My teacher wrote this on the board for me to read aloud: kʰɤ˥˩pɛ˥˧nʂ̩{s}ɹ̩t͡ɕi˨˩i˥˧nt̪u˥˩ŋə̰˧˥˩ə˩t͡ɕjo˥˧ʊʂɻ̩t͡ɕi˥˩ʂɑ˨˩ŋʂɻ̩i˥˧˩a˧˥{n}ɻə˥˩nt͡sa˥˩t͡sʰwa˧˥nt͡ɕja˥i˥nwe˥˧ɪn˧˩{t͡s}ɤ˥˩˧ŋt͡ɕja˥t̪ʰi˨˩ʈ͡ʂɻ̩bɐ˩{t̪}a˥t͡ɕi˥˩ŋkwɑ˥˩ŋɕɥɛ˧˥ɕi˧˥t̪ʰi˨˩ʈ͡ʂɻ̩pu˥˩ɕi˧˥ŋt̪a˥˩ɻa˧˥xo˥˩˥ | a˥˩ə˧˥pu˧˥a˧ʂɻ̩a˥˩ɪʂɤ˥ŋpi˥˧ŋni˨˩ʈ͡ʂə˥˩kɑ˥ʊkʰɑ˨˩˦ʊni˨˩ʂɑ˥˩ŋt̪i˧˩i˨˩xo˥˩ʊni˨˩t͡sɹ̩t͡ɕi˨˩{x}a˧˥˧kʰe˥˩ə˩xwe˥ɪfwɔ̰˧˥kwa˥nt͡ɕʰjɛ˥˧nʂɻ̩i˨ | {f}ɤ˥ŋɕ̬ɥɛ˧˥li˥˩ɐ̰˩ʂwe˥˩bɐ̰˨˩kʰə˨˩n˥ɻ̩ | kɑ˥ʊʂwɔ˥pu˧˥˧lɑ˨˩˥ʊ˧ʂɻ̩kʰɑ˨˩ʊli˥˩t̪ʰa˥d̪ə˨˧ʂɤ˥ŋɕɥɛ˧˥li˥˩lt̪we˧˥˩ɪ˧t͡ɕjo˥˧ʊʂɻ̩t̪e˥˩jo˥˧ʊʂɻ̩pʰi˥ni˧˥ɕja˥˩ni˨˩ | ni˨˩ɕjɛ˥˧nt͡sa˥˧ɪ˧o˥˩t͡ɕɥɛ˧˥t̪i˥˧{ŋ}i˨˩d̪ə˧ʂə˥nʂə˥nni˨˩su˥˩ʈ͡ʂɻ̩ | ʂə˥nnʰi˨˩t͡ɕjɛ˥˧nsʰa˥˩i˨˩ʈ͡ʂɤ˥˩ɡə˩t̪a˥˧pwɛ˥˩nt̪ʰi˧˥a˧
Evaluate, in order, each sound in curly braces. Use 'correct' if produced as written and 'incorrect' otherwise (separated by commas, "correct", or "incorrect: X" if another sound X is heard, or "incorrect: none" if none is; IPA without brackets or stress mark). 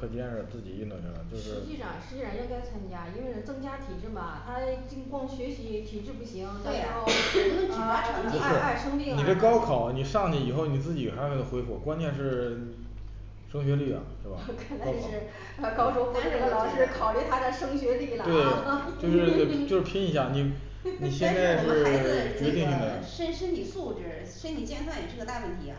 incorrect: t͡s, correct, correct, incorrect: t̪ʰ, correct, incorrect: ʂ, correct